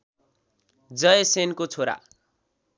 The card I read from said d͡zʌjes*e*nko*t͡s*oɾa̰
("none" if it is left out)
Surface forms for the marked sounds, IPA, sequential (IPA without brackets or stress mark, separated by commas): e, t͡sʰ